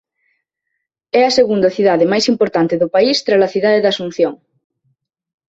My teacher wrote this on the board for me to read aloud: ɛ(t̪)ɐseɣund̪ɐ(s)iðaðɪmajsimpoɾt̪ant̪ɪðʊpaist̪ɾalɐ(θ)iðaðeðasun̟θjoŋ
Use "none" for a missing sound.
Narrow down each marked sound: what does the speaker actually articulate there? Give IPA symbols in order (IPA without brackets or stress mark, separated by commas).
none, θ, θ